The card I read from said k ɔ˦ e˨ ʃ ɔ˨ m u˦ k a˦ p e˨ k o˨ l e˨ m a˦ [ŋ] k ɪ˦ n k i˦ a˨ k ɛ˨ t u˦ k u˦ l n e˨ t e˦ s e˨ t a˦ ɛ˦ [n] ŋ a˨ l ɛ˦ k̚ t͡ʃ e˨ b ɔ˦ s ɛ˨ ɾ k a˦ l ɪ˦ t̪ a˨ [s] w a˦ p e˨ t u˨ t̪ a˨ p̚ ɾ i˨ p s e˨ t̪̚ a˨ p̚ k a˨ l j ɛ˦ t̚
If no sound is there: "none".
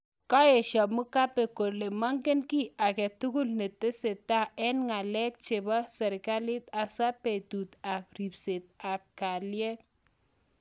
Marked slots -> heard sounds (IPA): ŋ, n, s

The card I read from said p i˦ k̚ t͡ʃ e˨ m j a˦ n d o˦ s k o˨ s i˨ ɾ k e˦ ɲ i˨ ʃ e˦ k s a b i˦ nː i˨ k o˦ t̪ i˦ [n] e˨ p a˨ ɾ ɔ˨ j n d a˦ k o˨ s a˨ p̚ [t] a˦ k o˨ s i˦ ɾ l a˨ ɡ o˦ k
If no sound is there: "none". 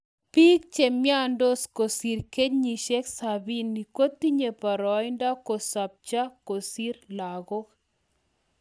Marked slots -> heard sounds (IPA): ɲ, t͡ʃ

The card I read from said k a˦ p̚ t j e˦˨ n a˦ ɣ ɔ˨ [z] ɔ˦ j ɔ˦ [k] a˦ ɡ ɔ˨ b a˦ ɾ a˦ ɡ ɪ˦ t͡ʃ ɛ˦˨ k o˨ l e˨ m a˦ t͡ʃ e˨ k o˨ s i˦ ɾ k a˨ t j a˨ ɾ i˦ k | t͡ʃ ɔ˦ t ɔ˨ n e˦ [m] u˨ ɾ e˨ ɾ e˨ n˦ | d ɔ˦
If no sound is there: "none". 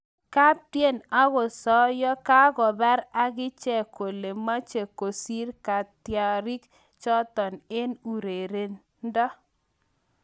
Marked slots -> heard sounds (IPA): s, k, n

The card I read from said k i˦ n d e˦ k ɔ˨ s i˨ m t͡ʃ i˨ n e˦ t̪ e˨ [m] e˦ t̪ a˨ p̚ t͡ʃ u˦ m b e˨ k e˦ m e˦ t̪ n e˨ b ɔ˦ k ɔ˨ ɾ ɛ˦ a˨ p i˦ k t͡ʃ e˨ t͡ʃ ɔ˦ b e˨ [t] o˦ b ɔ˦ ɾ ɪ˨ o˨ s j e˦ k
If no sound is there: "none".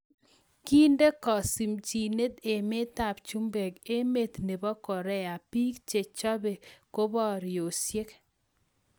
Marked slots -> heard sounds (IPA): m, k

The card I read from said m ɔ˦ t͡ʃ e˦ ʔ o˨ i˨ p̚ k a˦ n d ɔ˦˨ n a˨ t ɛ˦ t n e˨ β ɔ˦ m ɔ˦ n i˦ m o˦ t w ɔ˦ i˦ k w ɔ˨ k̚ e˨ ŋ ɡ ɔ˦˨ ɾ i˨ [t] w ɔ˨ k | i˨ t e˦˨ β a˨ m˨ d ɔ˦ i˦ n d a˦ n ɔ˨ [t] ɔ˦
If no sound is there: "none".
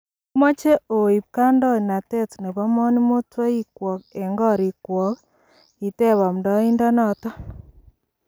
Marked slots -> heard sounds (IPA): k, t

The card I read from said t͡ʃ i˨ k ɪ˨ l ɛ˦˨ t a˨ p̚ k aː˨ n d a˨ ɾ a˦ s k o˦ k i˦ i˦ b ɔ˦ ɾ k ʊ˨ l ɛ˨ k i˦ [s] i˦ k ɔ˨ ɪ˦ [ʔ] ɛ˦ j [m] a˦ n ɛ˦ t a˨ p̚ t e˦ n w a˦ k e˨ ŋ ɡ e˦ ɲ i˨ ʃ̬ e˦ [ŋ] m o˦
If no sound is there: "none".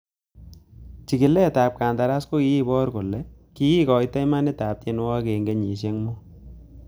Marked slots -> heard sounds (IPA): none, t, m, ŋ

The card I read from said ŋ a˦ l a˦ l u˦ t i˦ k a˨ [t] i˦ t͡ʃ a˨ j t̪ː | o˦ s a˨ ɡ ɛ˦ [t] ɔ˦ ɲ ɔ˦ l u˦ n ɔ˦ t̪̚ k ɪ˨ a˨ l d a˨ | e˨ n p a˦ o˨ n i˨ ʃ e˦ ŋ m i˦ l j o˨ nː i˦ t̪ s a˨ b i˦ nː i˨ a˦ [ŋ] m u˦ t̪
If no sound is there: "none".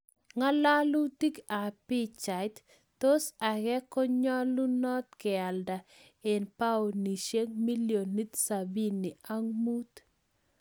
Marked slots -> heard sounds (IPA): p, k, ŋ

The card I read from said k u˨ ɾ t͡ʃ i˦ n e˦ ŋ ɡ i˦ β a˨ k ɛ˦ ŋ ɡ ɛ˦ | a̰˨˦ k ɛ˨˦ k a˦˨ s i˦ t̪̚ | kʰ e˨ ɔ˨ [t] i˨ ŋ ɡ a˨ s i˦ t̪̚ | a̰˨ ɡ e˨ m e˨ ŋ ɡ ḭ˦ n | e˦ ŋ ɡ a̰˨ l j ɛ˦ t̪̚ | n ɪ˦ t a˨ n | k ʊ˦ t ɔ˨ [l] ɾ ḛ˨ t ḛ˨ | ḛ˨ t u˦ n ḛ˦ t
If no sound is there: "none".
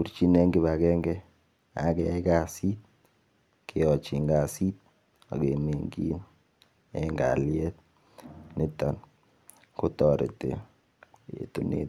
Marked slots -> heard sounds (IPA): t͡ʃ, none

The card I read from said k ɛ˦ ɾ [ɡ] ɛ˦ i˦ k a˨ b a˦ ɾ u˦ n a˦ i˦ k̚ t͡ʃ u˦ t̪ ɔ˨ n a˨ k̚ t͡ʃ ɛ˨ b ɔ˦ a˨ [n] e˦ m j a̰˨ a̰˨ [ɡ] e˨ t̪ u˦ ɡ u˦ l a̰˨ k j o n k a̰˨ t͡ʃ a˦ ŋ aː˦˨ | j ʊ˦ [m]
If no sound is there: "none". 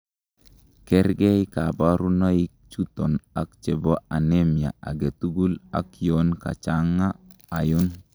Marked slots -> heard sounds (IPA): ɡ, n, ɡ, n

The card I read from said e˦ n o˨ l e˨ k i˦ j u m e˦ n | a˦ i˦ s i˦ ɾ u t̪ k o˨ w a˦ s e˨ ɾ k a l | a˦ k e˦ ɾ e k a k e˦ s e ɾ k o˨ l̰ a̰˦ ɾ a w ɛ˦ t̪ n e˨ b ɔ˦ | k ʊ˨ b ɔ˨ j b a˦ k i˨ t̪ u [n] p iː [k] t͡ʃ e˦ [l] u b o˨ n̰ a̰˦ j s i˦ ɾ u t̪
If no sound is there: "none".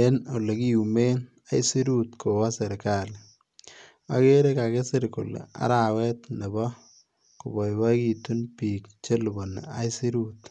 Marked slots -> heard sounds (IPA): n, k, l

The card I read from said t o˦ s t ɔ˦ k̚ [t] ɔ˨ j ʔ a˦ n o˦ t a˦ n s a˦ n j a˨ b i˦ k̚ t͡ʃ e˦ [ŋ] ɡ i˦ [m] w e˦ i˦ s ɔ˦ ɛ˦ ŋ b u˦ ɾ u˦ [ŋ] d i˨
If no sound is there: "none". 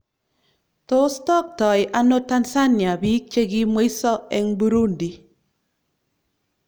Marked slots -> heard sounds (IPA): t, none, m, n

